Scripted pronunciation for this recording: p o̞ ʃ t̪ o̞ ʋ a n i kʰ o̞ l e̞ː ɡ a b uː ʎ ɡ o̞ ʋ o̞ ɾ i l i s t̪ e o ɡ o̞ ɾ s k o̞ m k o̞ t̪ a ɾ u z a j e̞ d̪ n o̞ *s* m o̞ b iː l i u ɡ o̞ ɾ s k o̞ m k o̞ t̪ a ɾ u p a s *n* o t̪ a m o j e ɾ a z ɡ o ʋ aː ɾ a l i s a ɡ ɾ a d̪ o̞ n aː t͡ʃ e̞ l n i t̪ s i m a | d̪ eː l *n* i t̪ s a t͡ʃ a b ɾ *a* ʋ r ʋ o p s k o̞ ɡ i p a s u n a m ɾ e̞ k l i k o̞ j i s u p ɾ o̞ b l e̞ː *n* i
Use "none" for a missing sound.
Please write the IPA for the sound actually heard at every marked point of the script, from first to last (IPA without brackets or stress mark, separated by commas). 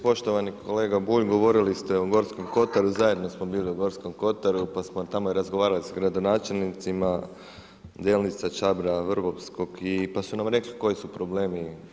s, m, n, a, m